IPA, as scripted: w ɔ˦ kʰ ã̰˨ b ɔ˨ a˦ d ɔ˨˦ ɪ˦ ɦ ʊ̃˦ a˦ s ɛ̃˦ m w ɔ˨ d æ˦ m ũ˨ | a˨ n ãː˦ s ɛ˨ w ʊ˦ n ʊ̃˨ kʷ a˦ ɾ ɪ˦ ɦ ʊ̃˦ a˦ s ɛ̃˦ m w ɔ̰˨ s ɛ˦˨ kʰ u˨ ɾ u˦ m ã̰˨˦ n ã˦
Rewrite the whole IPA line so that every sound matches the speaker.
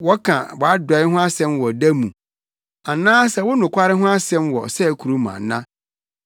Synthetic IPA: w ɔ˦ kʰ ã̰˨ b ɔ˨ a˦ d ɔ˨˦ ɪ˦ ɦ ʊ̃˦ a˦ s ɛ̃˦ m w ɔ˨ d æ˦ m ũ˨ | a˨ n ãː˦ s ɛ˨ w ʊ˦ n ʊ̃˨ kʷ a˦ ɾ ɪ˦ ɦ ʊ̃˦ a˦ s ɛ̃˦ m w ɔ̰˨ s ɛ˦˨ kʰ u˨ ɾ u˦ m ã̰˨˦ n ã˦